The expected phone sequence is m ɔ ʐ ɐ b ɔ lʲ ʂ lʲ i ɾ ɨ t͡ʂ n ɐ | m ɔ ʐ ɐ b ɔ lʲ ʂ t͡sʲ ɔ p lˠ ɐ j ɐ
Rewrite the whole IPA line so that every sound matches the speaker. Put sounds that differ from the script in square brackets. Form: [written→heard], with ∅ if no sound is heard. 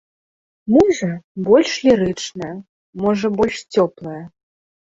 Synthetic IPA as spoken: m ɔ ʐ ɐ b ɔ lʲ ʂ lʲ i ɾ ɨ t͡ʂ n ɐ | m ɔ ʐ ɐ b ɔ lʲ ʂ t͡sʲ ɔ p lˠ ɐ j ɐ